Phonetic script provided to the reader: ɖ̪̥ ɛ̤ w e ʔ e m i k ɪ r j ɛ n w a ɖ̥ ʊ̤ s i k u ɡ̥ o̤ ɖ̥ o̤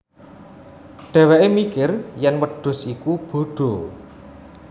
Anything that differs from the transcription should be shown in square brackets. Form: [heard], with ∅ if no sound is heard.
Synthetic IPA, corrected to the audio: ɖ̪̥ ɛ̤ w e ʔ e m i k ɪ r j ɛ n w [ə] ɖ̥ ʊ̤ s i k u [b̥] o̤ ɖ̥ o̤